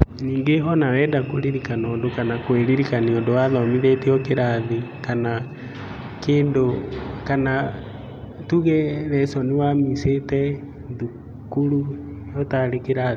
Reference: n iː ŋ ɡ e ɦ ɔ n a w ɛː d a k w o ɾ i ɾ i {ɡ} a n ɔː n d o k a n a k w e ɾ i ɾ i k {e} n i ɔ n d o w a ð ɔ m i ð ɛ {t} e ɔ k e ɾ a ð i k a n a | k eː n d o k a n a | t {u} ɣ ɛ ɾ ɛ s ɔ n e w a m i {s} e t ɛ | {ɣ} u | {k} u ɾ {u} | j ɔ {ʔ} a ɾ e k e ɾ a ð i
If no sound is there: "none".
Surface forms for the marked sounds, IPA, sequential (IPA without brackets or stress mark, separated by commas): k, a, t, u, s, ð, k, u, t